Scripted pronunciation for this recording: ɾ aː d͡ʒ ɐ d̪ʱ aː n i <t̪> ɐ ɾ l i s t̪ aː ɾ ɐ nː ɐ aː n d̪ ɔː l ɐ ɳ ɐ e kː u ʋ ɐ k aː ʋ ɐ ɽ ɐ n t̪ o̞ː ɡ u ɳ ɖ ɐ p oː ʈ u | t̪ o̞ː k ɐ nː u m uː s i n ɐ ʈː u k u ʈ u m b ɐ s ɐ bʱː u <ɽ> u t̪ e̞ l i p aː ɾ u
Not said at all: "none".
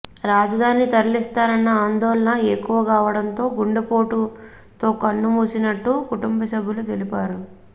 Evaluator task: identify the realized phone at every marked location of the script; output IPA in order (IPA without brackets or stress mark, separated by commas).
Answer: t̪, l